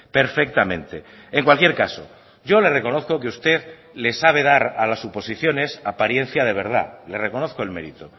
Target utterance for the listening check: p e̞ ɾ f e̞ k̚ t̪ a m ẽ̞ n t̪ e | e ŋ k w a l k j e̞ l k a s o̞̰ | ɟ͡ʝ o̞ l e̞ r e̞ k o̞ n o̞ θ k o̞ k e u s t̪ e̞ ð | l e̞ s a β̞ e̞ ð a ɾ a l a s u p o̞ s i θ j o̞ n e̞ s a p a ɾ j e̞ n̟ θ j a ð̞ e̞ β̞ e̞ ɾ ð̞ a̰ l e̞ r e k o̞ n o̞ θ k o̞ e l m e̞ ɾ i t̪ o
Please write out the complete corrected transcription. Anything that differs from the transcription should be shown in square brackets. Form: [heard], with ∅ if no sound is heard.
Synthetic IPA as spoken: p e̞ ɾ f e̞ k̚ t̪ a m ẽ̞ n t̪ e | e ŋ k w a l k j e̞ [ɾ] k a s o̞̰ | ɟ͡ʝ o̞ l e̞ r e̞ k o̞ n o̞ θ k o̞ k e u s t̪ e̞ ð | l e̞ s a β̞ e̞ ð a ɾ a l a s u p o̞ s i θ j o̞ n e̞ s a p a ɾ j e̞ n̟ θ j a ð̞ e̞ β̞ e̞ ɾ ð̞ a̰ l e̞ r e k o̞ n o̞ θ k o̞ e l m e̞ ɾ i t̪ o